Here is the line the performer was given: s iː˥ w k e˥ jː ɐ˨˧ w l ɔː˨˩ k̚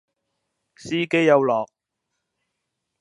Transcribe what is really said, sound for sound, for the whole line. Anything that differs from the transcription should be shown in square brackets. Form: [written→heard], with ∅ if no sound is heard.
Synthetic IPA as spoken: s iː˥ [w→∅] k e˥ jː ɐ˨˧ w l ɔː˨˩ k̚